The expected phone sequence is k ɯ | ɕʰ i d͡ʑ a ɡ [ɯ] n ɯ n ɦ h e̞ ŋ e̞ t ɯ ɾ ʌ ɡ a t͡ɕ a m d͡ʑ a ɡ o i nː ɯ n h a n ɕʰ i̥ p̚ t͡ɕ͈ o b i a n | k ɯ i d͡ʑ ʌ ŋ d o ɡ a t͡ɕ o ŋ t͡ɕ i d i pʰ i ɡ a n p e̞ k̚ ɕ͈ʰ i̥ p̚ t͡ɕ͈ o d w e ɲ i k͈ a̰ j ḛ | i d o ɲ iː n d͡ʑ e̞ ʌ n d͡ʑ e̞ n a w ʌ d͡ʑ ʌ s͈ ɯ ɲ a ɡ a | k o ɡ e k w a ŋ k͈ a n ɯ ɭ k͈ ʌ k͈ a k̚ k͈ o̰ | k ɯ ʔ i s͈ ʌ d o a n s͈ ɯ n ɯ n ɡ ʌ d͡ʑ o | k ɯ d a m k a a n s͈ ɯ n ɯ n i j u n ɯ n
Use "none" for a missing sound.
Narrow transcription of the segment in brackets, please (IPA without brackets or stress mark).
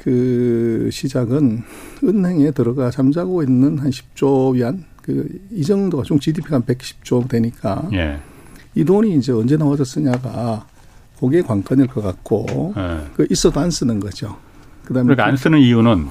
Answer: ɯ